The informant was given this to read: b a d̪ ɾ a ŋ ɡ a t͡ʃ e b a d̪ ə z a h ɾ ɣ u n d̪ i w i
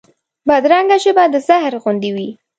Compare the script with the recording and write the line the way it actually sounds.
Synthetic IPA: b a d̪ ɾ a ŋ ɡ a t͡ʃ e b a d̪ ə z a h ɾ ɣ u n d̪ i w i